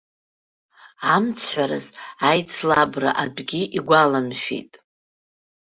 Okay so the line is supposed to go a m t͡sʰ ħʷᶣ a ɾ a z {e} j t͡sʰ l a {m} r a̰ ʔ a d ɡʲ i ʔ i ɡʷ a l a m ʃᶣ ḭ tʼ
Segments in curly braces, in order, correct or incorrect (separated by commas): incorrect, incorrect